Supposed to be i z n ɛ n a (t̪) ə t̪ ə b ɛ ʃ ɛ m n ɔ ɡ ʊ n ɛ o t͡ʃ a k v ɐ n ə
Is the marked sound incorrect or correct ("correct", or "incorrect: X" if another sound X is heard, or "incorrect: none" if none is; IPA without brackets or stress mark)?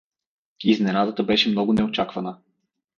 incorrect: d̪